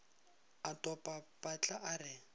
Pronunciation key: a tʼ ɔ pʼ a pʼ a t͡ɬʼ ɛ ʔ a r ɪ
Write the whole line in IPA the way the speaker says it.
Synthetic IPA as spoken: a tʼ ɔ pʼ a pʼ a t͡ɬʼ a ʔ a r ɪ